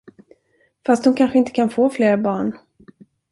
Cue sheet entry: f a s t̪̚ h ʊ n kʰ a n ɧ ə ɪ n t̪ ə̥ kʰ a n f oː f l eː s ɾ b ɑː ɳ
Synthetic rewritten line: f a s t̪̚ h ʊ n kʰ a n ɧ ə ɪ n t̪ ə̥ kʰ a n f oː f l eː ɾ b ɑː ɳ